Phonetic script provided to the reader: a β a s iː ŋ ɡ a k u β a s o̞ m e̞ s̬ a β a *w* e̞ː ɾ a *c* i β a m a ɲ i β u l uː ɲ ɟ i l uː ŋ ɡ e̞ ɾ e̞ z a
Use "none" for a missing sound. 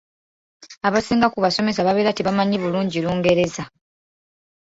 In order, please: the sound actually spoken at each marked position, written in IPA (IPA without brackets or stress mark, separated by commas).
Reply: β, t